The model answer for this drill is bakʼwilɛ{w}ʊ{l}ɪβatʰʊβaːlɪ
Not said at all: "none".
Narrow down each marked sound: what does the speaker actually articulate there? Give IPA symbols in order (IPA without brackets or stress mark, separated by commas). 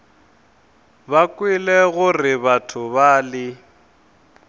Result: ɣ, r